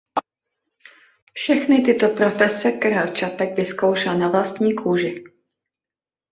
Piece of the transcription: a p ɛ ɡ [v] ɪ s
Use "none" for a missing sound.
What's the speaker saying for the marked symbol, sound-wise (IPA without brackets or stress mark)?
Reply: v